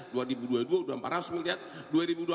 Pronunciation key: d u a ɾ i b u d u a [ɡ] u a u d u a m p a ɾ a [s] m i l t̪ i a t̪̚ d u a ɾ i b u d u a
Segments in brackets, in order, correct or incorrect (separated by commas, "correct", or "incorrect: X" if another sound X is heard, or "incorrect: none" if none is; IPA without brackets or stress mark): incorrect: d, correct